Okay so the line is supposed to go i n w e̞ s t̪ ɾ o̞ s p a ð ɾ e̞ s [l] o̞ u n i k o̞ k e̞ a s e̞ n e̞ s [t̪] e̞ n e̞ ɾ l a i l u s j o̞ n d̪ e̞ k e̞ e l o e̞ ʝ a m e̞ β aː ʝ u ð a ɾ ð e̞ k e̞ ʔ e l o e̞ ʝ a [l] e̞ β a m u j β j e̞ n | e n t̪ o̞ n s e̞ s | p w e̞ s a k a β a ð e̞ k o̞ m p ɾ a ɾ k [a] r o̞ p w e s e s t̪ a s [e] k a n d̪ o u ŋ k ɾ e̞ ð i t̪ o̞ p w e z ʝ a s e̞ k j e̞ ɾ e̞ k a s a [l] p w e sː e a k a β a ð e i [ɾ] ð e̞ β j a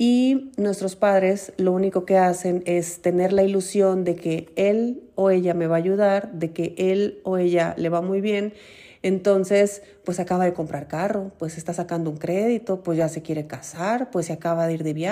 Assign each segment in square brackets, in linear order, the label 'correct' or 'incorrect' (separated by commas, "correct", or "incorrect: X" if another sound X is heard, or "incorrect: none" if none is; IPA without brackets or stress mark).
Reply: correct, correct, correct, correct, incorrect: a, incorrect: ɾ, correct